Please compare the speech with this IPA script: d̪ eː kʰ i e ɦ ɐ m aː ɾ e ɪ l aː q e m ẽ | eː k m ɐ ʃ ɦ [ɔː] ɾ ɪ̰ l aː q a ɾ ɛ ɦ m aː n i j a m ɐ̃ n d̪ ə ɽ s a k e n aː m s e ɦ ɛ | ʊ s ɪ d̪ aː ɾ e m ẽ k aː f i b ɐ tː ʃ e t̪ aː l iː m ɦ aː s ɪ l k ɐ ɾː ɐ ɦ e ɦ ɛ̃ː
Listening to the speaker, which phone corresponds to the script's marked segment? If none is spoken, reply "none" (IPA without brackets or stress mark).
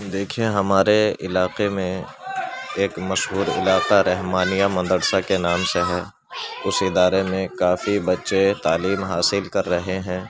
uː